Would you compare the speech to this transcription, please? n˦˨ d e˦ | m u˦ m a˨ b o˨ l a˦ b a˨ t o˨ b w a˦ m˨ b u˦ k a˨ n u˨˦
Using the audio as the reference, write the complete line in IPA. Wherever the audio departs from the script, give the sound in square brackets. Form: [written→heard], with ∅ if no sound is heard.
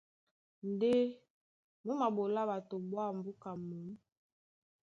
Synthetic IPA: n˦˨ d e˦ | m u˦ m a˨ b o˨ l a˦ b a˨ t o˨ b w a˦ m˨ b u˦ k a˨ [n→m] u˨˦